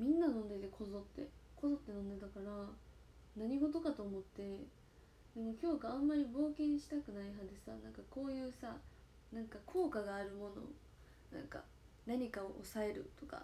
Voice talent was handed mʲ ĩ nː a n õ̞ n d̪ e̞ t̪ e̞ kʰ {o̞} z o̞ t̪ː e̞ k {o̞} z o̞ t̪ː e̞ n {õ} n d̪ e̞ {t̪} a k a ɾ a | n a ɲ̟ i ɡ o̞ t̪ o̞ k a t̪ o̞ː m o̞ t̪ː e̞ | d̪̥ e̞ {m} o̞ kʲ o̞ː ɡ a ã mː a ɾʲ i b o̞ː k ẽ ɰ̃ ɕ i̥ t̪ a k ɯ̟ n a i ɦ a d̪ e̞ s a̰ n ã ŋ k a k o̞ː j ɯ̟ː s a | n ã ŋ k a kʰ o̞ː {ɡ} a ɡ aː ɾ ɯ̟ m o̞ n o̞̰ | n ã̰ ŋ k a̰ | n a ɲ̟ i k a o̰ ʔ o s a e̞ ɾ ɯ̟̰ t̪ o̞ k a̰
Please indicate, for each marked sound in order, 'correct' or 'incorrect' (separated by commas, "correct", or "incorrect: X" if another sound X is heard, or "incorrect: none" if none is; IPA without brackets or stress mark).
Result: correct, correct, correct, correct, correct, incorrect: k